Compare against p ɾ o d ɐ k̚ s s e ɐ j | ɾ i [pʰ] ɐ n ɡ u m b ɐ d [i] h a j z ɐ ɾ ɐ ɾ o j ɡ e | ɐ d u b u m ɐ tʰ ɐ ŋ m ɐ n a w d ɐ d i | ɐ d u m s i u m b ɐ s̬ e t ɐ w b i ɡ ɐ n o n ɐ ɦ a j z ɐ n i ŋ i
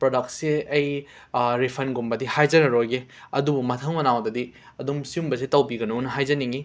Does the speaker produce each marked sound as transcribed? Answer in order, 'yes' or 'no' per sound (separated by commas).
yes, yes